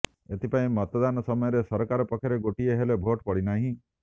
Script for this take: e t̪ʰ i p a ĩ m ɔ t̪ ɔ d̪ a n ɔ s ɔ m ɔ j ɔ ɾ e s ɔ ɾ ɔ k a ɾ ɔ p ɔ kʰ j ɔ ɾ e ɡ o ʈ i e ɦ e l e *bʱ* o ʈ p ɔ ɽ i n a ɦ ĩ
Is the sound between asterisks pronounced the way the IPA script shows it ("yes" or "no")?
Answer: yes